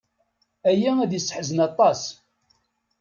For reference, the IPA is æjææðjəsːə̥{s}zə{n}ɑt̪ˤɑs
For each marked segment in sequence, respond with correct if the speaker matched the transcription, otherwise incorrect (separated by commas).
incorrect, correct